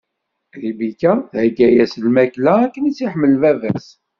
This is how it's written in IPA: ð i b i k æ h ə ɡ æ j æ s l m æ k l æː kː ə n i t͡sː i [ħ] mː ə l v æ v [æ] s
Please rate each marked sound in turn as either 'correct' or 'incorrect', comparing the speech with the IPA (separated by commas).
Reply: correct, correct